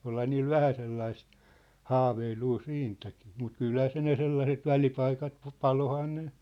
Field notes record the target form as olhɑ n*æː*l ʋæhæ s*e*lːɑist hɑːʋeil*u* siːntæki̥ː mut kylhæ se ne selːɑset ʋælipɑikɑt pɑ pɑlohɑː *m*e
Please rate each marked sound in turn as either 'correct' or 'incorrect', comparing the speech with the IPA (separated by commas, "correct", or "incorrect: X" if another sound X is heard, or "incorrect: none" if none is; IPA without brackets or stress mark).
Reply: incorrect: iː, correct, incorrect: uː, incorrect: n